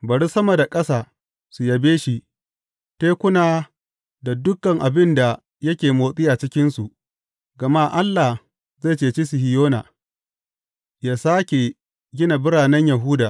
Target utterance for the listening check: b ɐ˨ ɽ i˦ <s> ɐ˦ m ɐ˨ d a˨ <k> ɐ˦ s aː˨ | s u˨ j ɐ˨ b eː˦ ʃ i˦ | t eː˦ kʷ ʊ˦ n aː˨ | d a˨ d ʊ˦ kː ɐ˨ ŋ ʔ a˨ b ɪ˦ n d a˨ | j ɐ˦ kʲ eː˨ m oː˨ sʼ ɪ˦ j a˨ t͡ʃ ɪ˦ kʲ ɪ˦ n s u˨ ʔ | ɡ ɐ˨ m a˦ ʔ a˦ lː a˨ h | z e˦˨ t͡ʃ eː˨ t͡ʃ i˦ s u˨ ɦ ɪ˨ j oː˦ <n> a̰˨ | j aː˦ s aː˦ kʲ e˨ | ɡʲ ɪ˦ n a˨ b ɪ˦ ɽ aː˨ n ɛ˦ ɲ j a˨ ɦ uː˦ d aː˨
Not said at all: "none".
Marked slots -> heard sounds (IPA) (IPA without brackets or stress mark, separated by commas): s, kʼ, n